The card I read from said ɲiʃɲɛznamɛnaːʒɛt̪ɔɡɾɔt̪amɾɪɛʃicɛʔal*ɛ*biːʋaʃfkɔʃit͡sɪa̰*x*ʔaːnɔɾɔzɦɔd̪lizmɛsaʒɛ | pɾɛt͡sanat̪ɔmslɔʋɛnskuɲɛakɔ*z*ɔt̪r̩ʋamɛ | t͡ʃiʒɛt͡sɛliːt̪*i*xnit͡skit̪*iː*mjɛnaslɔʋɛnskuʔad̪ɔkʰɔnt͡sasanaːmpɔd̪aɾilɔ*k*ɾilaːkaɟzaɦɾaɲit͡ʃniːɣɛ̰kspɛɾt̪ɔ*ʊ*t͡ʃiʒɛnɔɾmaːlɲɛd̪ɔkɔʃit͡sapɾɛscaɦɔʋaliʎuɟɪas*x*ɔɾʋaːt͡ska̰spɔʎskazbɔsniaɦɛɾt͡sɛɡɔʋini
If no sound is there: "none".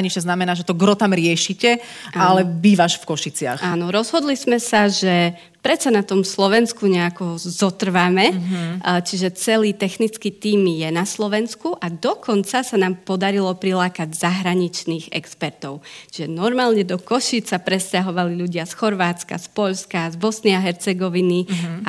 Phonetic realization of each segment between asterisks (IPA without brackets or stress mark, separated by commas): ɛ, x, z, ɛ, iː, p, ʊ, x